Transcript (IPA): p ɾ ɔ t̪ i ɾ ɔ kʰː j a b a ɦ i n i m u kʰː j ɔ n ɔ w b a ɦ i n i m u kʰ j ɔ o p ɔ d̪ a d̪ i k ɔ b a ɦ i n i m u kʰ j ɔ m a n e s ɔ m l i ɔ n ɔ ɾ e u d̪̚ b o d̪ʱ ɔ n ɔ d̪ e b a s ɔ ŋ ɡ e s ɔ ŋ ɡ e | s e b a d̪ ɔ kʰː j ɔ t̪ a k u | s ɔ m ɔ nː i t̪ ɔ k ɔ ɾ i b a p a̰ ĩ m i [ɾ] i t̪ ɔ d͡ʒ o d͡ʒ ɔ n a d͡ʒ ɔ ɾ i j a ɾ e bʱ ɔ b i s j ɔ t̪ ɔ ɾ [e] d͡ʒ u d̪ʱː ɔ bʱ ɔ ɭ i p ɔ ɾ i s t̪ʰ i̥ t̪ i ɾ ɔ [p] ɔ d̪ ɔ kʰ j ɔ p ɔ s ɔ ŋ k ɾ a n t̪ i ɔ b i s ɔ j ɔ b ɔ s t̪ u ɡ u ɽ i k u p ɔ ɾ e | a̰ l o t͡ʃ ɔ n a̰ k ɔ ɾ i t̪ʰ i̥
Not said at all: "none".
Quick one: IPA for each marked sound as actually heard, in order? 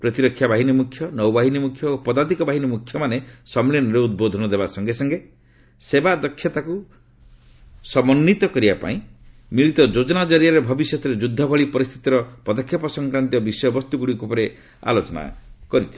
ɭ, e, p

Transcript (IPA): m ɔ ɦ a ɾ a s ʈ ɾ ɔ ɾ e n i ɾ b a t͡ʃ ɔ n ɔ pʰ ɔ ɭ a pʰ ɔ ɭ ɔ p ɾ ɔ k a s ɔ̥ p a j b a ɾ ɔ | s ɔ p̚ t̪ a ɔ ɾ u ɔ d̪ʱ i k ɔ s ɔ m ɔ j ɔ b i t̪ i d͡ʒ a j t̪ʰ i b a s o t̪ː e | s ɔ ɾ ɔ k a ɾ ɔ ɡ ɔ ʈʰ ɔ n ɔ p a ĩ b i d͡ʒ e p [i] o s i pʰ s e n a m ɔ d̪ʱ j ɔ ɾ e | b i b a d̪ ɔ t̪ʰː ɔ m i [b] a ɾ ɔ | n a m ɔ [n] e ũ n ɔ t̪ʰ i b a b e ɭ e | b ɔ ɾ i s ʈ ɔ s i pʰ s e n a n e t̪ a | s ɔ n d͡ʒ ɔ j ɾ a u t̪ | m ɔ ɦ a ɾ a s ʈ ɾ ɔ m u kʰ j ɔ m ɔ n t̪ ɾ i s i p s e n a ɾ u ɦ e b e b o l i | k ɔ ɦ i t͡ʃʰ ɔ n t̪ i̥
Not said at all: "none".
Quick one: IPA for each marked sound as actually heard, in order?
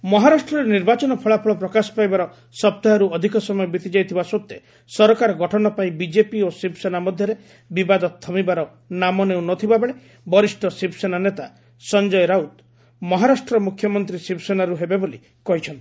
i, b, n

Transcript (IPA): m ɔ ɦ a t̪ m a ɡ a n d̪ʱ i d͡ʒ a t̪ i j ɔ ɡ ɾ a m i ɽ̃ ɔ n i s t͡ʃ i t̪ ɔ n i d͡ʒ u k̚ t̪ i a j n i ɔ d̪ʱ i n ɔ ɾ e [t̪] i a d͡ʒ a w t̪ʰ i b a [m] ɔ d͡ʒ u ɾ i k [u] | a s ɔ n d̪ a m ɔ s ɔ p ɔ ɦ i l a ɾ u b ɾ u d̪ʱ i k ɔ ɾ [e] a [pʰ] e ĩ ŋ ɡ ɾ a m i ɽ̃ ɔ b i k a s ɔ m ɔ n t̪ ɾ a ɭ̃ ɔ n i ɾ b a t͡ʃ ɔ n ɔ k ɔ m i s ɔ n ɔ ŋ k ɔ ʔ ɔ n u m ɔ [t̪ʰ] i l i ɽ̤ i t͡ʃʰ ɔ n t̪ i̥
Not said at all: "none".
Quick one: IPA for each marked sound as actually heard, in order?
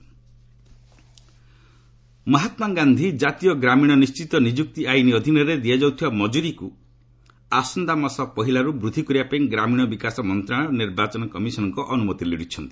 d̪, m, u, i, p, t̪

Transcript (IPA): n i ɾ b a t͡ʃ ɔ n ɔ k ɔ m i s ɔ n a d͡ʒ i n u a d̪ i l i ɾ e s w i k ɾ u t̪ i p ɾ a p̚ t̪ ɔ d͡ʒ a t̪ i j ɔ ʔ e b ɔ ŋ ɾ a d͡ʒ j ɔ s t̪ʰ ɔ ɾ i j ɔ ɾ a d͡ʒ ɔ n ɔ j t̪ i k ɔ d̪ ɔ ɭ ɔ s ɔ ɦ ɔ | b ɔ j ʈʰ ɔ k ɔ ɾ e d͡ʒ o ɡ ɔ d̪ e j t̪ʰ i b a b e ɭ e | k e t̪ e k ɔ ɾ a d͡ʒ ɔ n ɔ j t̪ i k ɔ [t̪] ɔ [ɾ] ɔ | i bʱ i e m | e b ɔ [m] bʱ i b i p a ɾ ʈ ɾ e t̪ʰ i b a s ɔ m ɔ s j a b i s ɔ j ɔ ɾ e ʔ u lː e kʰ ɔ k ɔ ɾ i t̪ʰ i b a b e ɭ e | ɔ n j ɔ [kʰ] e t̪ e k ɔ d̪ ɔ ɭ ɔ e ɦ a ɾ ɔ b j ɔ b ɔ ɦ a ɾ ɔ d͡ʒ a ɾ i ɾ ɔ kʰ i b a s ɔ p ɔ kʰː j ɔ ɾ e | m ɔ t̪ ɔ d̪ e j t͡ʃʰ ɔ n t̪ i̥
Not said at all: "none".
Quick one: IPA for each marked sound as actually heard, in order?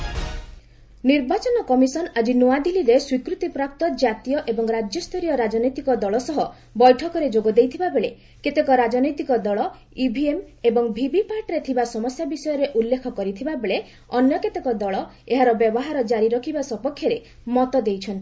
d̪, ɭ, ŋ, k

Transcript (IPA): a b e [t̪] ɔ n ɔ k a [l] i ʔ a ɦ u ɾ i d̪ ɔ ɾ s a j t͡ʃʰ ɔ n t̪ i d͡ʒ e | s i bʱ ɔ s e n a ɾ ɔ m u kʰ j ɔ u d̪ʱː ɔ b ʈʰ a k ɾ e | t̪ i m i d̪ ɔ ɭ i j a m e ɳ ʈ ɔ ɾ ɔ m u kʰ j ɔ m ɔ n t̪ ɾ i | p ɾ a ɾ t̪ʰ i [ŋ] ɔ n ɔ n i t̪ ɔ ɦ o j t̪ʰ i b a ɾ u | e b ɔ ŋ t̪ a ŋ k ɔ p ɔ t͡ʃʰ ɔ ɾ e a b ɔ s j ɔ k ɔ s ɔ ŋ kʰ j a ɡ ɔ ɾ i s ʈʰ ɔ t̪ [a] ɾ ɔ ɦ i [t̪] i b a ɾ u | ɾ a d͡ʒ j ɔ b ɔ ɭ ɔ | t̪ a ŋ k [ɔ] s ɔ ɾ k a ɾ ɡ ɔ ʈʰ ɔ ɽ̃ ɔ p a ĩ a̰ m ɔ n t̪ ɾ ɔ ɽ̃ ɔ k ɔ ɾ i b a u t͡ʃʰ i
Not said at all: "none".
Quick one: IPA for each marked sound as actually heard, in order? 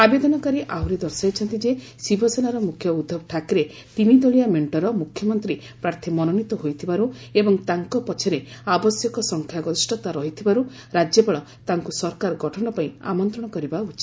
d̪, ɾ, m, a, t̪ʰ, u

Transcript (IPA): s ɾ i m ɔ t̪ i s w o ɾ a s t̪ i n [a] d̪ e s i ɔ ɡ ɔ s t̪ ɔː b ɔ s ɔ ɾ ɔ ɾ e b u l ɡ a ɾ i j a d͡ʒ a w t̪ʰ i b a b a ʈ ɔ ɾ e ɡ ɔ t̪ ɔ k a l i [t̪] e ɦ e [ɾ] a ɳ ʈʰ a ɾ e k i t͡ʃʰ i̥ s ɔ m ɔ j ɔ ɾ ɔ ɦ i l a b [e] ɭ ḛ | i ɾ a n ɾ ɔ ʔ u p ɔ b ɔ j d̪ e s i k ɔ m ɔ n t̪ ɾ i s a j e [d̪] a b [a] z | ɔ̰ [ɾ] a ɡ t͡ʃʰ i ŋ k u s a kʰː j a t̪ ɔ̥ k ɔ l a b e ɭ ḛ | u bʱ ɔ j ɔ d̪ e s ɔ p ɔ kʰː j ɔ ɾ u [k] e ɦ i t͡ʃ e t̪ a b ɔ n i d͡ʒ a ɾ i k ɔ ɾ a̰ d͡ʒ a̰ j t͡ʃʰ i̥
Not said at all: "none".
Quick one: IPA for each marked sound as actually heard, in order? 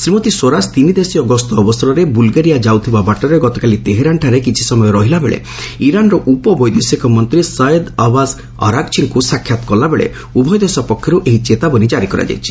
i, t̪, ɾ, e, d̪, a, ɾ, ʔ

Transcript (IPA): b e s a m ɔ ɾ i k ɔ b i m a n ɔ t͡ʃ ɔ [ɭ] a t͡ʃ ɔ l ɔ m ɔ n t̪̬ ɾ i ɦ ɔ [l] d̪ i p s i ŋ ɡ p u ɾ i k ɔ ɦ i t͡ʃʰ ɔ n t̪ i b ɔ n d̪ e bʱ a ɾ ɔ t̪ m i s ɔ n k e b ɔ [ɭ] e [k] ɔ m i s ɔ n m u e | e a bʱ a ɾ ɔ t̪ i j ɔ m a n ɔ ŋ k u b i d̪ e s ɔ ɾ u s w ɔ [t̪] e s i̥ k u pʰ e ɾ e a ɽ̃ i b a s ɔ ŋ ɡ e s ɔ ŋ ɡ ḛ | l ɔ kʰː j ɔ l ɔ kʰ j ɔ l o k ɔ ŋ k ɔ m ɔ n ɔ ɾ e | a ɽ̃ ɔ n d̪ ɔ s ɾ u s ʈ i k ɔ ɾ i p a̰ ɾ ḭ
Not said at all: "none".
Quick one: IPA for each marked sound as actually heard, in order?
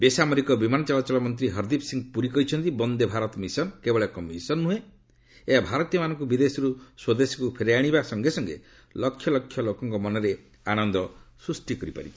l, ɾ, ɭ, k, d̪

